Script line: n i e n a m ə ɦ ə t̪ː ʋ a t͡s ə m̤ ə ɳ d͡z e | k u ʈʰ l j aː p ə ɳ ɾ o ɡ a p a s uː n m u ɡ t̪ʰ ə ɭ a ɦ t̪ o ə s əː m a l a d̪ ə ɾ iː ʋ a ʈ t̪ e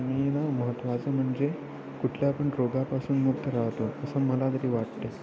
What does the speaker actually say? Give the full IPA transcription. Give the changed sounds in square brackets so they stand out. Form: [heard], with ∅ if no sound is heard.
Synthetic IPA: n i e n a m ə ɦ ə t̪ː ʋ a t͡s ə m̤ ə ɳ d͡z e | k u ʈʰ l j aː p ə ɳ ɾ o ɡ a p a s uː n m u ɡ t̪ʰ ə [ɾ] a ɦ t̪ o ə s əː m [ə] l a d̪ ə ɾ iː ʋ a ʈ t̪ e

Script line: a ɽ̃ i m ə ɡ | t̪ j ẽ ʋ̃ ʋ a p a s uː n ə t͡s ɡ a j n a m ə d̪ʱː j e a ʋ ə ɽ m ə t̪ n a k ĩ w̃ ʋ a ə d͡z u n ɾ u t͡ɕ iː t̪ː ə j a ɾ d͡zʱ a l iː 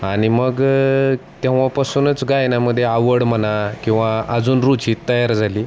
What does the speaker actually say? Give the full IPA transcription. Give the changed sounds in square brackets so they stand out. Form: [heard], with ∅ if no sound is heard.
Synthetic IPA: a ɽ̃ i m ə ɡ | t̪ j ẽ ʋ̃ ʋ a p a s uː n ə t͡s ɡ a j n a m ə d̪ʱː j e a ʋ ə ɽ m ə [∅] n a k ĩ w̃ ʋ a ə d͡z [uː] n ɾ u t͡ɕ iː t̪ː ə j a ɾ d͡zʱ a l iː

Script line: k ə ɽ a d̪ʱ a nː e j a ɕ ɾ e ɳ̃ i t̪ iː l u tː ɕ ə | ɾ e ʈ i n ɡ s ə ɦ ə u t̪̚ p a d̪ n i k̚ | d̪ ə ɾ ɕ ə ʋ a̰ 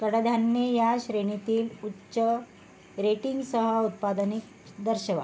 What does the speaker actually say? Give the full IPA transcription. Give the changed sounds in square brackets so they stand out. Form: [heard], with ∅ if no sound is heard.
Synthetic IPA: k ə ɽ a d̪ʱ a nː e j a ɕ ɾ e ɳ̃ i t̪ iː l u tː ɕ ə | ɾ e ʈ i [ŋ] ɡ s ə ɦ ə u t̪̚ p a d̪ n i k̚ | d̪ ə ɾ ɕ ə ʋ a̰

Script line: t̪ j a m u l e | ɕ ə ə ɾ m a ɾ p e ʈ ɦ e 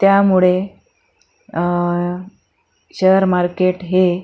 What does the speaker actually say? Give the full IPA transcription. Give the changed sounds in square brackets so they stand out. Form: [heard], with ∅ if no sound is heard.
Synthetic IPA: t̪ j a m u [ɭ] e | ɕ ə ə ɾ m a ɾ [k] e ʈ ɦ e

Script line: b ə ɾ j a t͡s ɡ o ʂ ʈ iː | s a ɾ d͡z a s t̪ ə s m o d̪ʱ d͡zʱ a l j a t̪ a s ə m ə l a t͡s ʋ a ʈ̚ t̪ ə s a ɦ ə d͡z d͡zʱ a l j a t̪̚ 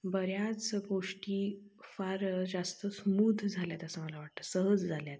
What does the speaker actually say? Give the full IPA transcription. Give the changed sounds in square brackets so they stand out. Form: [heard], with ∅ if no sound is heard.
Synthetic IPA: b ə ɾ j a t͡s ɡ o ʂ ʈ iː | [f] a ɾ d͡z a s t̪ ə s m [u] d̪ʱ d͡zʱ a l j a t̪ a s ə m ə l a [∅] ʋ a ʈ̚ t̪ ə s [ə] ɦ ə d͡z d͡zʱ a l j a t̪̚

